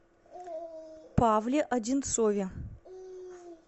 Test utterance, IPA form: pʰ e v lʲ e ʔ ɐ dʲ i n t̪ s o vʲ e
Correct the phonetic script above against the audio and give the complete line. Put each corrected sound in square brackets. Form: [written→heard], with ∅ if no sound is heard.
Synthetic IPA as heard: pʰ [e→a] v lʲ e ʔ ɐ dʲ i n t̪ s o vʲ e

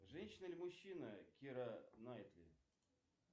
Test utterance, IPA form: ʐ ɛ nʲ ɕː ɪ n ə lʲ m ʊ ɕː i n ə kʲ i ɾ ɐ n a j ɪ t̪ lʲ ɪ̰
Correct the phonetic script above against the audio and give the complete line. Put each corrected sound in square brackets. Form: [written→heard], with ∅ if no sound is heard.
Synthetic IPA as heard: ʐ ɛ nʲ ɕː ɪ n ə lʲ m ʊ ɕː i n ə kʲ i ɾ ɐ n a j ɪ t̪ lʲ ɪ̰

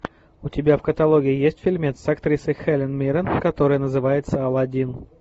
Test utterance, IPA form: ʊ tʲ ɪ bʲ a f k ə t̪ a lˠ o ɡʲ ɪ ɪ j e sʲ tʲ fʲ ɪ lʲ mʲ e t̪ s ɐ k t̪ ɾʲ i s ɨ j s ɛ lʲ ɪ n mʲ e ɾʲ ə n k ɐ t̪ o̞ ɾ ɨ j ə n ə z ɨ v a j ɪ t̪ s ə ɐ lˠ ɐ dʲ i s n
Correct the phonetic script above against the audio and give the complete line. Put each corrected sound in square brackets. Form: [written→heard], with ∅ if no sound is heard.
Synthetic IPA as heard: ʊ tʲ ɪ bʲ a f k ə t̪ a lˠ o ɡʲ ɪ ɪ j e sʲ tʲ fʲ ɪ lʲ mʲ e t̪ s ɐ k t̪ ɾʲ i s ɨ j [s→x] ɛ lʲ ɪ n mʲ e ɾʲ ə n k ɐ t̪ o̞ ɾ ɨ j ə n ə z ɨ v a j ɪ t̪ s ə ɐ lˠ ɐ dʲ i [s→∅] n

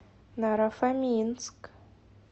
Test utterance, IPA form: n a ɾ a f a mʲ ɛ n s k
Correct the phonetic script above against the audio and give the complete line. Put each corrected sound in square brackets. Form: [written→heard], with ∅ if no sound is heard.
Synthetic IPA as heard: n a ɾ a f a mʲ [ɛ→i] n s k

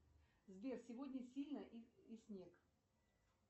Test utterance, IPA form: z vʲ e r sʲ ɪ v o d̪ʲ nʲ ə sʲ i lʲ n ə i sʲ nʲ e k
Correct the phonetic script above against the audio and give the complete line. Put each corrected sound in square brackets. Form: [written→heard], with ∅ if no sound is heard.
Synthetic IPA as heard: z vʲ e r sʲ ɪ v o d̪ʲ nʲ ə sʲ i lʲ n ə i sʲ nʲ e k

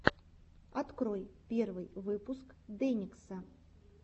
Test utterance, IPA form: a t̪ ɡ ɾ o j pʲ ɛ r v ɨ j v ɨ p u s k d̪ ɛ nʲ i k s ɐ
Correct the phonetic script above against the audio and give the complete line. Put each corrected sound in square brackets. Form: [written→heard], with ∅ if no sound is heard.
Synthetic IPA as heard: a t̪ [ɡ→k] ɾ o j pʲ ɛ r v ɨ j v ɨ p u s k d̪ ɛ nʲ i k s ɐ

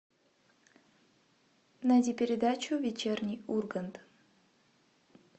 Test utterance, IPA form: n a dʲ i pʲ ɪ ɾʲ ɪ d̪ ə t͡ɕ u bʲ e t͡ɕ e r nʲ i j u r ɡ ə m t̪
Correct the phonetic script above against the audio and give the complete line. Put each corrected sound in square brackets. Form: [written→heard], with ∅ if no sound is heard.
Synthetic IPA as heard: n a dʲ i pʲ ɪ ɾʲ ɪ d̪ [ə→a] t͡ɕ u [bʲ→vʲ] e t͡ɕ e r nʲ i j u r ɡ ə [m→n] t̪

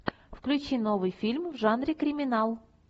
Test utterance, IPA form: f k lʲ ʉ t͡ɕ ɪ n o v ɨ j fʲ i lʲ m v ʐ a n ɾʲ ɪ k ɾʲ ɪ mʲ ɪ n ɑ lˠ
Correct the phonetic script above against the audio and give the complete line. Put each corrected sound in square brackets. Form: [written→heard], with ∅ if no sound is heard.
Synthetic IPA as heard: f k lʲ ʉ t͡ɕ [ɪ→i] n o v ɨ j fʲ i lʲ m v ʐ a n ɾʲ ɪ k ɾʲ ɪ mʲ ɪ n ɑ lˠ

